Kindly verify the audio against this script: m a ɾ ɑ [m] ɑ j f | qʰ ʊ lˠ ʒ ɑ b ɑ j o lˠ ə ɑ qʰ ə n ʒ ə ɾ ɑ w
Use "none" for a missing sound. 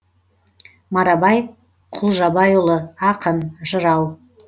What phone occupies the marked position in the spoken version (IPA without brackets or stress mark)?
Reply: b